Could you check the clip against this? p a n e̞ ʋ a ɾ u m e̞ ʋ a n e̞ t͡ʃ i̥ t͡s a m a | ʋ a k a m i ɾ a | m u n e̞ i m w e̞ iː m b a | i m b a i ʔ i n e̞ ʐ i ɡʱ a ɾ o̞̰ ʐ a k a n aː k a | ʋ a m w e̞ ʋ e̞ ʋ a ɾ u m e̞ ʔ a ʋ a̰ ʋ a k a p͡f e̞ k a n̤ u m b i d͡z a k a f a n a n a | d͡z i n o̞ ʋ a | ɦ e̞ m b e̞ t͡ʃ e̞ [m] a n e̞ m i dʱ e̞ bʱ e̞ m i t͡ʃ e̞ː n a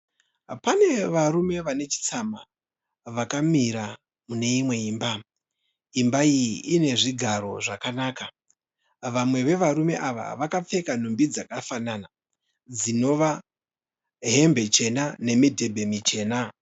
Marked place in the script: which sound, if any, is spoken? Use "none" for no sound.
n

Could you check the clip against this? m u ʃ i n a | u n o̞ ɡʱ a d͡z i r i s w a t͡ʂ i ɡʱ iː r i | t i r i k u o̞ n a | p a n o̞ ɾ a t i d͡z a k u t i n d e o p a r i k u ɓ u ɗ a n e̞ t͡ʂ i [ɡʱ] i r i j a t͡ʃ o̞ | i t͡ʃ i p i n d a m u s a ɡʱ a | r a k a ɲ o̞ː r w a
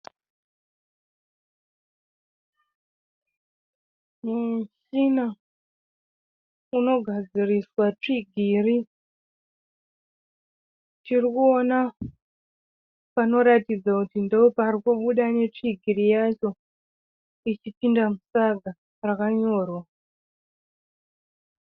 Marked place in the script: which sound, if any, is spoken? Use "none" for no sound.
ɡʱ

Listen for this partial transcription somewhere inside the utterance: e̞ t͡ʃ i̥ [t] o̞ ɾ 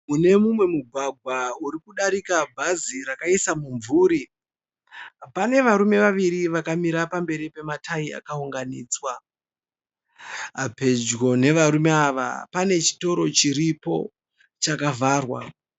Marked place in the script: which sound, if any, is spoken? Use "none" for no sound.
t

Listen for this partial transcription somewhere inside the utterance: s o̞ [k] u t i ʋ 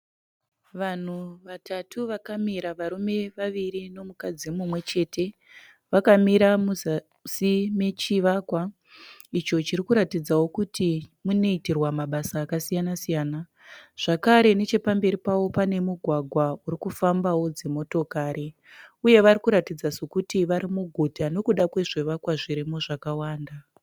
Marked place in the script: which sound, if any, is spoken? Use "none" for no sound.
k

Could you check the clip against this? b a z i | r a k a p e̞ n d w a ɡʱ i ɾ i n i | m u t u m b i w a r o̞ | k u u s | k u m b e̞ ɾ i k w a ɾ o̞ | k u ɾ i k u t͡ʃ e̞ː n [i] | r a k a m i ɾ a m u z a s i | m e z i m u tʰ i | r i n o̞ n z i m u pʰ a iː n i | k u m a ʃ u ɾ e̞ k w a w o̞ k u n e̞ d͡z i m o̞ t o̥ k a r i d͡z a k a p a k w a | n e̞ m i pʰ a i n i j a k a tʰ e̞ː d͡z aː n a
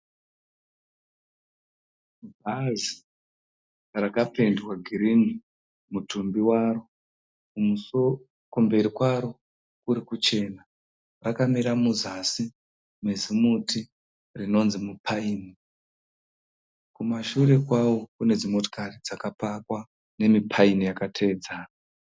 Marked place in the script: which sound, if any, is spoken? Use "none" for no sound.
a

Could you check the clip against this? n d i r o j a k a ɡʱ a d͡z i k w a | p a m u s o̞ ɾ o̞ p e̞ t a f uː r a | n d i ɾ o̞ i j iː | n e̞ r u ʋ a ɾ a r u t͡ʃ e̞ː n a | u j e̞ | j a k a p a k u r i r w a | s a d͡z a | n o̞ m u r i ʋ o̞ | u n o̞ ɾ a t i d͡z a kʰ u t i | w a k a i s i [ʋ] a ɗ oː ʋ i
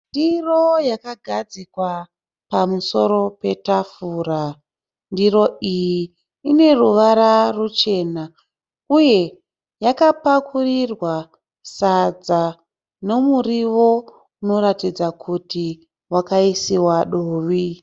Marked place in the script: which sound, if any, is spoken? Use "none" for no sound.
w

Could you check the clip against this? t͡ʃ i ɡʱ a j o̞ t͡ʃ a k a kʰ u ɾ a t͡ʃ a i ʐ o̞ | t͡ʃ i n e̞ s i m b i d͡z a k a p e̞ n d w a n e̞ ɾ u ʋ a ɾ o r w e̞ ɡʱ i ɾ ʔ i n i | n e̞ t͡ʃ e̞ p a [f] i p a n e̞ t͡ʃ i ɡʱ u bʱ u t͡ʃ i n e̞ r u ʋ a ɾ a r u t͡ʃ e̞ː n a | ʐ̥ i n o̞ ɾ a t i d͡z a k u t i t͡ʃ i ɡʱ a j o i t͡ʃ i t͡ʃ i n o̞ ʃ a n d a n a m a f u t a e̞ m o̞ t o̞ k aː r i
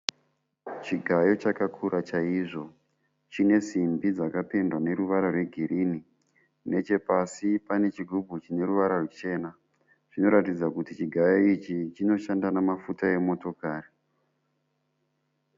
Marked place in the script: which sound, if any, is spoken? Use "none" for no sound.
s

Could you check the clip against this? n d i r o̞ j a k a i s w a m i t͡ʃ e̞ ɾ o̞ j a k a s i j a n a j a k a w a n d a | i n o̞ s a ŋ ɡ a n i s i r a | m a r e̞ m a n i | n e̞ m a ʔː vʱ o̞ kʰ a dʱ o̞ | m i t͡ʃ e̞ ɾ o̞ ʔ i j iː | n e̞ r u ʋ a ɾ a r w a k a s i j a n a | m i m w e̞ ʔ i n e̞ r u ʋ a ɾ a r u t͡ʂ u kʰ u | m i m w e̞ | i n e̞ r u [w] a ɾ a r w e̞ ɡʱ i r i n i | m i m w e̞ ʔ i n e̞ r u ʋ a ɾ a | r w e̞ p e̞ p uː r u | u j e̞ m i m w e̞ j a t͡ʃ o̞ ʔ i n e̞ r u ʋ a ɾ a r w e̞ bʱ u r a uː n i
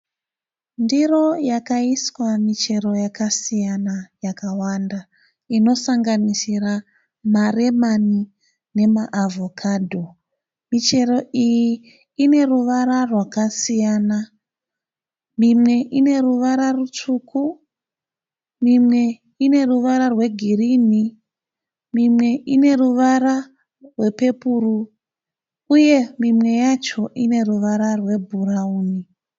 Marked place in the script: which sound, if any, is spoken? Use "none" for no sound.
ʋ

